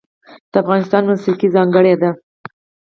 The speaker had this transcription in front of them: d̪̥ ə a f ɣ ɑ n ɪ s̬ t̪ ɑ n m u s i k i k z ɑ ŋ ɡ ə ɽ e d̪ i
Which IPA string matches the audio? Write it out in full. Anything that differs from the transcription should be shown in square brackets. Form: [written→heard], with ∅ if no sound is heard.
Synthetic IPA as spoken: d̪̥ ə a f ɣ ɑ n ɪ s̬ t̪ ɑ n m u s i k i [k→∅] z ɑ ŋ ɡ ə ɽ e d̪ [i→a]